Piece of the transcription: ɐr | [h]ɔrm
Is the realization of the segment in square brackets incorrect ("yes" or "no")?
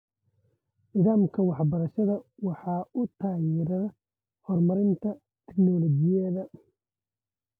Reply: no